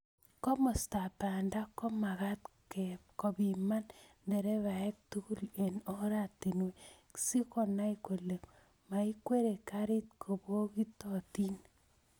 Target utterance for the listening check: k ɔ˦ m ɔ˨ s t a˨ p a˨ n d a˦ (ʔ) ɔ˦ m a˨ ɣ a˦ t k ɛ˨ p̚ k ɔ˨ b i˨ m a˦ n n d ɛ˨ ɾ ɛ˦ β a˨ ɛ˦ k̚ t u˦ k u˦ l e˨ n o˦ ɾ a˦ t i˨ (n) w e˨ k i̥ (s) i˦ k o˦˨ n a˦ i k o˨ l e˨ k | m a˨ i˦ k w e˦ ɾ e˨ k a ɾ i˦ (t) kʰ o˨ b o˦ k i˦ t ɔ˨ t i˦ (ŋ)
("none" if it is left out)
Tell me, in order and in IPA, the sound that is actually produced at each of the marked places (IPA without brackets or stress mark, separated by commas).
k, n, s, t, n